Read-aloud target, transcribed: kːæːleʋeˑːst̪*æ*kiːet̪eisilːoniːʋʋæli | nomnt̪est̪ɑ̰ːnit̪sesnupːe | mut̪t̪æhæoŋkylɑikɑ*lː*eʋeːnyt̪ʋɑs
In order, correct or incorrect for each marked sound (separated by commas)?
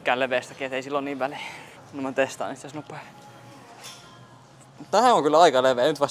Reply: correct, incorrect